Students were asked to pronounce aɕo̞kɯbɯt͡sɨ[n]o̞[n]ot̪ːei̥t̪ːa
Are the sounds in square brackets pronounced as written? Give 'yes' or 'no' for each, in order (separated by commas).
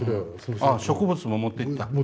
no, no